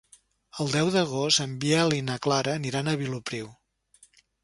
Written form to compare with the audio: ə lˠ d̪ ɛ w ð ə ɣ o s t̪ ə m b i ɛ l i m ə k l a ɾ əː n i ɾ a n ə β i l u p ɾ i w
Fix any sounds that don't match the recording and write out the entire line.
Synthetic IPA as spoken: ə lˠ d̪ ɛ w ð ə ɣ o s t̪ ə m b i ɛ l i n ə k l a ɾ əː n i ɾ a n ə β i l u p ɾ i w